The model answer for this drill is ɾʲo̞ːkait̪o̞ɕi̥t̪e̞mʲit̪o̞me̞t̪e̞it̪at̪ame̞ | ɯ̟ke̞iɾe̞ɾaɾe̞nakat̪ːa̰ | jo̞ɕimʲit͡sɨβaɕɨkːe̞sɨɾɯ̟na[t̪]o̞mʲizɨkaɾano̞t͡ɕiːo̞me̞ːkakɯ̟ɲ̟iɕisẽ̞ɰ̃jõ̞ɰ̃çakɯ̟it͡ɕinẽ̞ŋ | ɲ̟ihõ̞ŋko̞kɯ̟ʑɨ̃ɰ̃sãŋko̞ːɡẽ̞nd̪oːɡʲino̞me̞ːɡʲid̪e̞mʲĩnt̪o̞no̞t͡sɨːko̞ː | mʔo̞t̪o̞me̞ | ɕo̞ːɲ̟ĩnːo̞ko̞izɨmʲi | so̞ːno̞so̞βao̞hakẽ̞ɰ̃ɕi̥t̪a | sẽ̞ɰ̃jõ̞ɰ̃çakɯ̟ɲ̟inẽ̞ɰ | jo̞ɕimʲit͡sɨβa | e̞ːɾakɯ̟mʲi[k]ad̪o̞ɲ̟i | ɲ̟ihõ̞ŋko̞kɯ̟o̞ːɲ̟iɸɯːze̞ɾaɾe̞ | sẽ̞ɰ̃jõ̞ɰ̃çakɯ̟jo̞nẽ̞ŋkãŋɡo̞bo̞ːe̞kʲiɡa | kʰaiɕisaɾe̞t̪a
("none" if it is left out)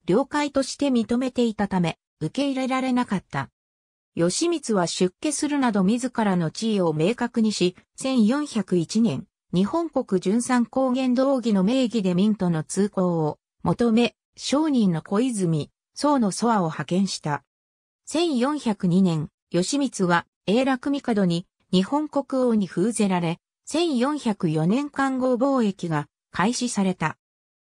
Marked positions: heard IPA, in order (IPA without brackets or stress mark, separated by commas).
d̪, k